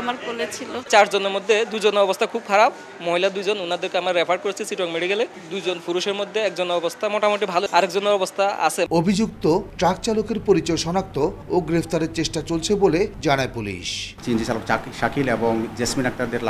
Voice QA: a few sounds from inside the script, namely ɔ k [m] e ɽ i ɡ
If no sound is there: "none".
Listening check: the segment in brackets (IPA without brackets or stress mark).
m